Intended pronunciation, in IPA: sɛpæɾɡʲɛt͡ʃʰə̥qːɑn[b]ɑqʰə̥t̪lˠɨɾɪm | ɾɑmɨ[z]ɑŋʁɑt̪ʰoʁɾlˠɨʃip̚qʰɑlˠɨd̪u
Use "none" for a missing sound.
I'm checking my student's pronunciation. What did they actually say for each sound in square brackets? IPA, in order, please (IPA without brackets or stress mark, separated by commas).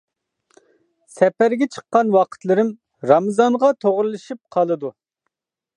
w, z